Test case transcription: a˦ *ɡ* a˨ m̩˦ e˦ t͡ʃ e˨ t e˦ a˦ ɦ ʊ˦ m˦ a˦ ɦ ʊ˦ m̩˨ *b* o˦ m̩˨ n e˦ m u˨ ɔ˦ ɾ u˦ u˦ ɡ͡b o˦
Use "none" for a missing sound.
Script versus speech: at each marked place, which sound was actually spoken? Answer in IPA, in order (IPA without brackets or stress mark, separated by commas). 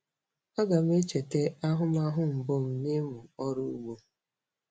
ɡ, b